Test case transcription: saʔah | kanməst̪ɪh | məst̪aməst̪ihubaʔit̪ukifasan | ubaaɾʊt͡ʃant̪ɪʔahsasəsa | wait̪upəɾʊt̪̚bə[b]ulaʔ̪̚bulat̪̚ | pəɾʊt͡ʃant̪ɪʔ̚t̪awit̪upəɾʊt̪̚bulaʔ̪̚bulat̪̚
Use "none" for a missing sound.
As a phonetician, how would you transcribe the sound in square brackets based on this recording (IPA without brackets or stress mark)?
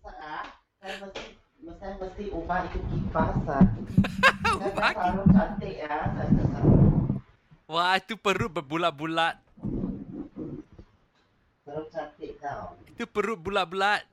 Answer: b